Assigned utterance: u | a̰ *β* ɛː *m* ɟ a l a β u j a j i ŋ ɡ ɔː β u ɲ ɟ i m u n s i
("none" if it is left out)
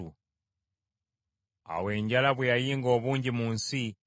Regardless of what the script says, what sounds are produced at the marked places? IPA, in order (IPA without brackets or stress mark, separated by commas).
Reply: w, ɲ